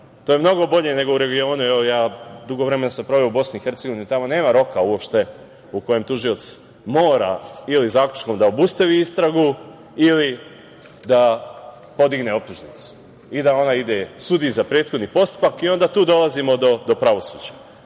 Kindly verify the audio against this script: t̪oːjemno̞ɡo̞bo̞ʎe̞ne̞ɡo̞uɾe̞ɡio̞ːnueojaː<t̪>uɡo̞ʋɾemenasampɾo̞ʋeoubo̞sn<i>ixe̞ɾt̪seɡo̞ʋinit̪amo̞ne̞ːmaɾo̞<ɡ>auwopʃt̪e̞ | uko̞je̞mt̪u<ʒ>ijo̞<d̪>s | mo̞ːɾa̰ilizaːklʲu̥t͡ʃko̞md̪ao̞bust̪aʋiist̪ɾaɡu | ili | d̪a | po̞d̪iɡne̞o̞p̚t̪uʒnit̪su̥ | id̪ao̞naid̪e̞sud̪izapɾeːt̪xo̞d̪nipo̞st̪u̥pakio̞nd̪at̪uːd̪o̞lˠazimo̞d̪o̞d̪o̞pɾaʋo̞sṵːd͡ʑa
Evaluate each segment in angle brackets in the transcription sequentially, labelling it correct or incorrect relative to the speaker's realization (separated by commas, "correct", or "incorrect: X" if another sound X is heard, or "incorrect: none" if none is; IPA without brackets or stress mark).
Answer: incorrect: d̪, correct, incorrect: k, correct, incorrect: t̪